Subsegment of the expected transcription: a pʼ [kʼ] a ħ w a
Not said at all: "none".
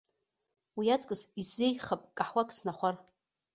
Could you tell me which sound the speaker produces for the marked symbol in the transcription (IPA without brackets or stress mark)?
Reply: kʼ